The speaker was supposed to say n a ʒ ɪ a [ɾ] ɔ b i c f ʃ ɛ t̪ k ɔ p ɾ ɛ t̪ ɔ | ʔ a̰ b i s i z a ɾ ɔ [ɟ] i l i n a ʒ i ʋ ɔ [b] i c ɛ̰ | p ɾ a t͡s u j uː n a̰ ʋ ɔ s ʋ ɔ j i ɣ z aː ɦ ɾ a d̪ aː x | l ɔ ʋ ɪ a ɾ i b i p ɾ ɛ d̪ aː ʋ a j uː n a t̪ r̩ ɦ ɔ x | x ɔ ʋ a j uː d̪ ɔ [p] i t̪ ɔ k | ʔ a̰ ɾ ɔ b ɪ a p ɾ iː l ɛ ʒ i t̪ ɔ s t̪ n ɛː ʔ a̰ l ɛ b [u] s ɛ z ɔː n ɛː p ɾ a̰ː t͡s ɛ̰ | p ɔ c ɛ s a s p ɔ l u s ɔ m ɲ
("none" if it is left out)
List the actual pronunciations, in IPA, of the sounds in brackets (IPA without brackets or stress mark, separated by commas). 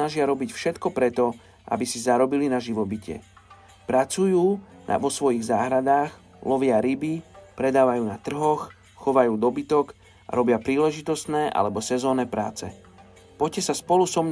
ɾ, b, b, b, ɔ